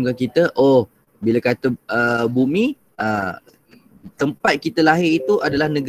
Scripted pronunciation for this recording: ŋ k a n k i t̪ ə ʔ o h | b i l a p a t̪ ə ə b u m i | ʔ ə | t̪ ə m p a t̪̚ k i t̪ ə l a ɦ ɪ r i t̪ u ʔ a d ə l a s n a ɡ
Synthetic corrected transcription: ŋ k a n k i t̪ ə ʔ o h | b i l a k a t̪ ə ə b u m i | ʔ ə | t̪ ə m p a t̪̚ k i t̪ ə l a ɦ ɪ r i t̪ u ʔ a d a l a h n ə ɡ